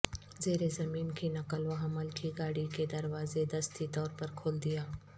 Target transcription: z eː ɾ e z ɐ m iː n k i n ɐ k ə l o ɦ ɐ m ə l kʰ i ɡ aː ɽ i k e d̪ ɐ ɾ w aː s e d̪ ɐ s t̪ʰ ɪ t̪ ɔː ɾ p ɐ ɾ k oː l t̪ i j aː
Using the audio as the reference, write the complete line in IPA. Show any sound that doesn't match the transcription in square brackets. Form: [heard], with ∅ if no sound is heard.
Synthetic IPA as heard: z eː ɾ e z ɐ m iː n k i n ɐ k ə l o ɦ ɐ m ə l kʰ i ɡ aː ɽ i k e d̪ ɐ ɾ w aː [z] e d̪ ɐ s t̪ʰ [i] t̪ ɔː ɾ p ɐ ɾ [kʰ] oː l [d̪] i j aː